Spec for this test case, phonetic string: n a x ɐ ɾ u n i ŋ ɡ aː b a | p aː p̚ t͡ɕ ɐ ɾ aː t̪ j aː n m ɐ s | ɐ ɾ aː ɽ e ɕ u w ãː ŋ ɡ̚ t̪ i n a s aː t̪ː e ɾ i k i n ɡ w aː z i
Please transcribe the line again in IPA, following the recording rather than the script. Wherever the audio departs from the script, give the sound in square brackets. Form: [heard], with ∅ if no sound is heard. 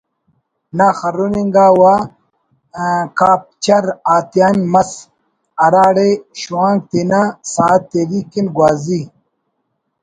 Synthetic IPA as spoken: n a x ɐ ɾ u n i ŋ ɡ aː [w] a | [k] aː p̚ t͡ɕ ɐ ɾ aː t̪ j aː n m ɐ s | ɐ ɾ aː ɽ e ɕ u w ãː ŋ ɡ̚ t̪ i n a s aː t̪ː e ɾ i k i n ɡ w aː z i

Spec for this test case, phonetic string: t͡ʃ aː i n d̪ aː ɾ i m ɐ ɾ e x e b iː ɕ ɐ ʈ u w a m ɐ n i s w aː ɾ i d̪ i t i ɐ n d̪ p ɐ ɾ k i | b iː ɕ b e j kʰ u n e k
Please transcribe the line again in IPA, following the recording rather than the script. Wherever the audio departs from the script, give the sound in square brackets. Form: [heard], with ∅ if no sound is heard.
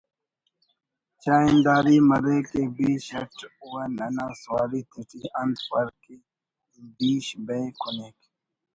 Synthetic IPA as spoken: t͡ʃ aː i n d̪ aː ɾ i m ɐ ɾ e [k] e b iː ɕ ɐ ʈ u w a [n] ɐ n [a] s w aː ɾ i [t̪] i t i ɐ n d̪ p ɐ ɾ k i | b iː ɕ b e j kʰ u n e k

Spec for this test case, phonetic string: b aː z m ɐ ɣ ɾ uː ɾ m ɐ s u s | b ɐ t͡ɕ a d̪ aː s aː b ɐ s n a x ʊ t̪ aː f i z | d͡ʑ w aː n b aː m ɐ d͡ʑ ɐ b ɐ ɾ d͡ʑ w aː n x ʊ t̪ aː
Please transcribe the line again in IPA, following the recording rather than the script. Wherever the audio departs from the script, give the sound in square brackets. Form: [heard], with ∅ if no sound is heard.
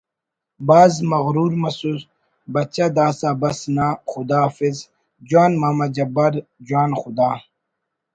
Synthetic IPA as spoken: b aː z m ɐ ɣ ɾ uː ɾ m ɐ s u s | b ɐ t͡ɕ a d̪ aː s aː b ɐ s n a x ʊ [d̪] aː f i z | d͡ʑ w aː n [m] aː m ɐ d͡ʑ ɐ b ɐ ɾ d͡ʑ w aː n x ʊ [d̪] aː

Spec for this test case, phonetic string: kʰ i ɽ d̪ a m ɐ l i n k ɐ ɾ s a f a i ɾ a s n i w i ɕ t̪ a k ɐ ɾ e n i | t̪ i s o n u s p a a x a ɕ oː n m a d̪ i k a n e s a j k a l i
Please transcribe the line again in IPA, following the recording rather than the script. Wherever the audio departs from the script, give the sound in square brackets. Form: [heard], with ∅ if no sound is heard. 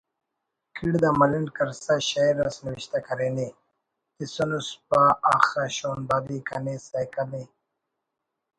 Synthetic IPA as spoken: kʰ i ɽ d̪ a m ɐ l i n k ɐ ɾ s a [ɕ] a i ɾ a s n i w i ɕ t̪ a k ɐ ɾ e n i | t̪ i s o n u s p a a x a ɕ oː n [b] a d̪ i k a n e s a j k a l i

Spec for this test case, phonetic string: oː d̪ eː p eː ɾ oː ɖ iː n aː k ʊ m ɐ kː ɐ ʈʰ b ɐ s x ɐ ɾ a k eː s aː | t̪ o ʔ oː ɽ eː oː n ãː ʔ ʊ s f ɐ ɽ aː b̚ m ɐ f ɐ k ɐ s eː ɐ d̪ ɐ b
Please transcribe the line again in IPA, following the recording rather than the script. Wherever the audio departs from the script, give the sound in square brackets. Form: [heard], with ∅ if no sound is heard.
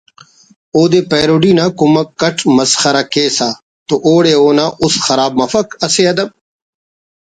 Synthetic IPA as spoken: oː d̪ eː p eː ɾ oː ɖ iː n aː k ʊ m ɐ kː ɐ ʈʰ [m] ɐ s x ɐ ɾ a k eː s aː | t̪ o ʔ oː ɽ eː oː n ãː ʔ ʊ s [x] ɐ [ɾ] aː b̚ m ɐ f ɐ k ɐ s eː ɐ d̪ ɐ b

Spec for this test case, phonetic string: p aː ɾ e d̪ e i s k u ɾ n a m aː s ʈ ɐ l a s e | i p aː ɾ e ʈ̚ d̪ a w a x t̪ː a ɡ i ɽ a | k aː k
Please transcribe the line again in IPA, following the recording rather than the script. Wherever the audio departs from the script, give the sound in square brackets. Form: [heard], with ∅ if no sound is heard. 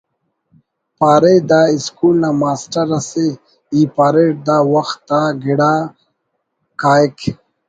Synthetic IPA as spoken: p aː ɾ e d̪ [a] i s k u [l] n a m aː s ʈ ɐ [ɾ] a s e | i p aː ɾ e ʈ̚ d̪ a w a x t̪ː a ɡ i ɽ a | k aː k

